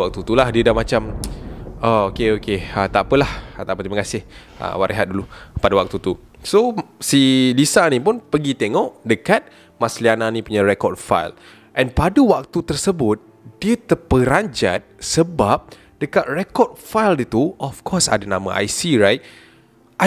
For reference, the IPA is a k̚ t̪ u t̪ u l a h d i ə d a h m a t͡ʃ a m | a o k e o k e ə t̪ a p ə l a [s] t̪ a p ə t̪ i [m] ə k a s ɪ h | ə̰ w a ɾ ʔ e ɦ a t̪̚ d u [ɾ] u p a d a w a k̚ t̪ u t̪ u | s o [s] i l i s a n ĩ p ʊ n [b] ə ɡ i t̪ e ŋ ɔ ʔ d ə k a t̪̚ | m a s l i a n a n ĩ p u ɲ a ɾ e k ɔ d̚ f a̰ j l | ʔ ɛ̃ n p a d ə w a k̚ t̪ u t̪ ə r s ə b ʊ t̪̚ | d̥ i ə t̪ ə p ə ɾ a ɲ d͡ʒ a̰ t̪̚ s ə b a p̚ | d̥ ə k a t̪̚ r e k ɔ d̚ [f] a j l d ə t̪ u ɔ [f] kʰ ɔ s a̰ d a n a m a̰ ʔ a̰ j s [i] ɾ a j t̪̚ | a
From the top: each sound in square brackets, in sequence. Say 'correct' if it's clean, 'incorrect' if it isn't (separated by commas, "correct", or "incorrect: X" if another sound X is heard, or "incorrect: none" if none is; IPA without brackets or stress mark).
incorrect: h, correct, incorrect: l, correct, incorrect: p, correct, correct, correct